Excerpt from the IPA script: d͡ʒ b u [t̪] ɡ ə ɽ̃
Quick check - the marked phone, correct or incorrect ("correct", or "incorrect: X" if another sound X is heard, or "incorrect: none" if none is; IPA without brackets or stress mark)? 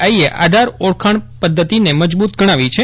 correct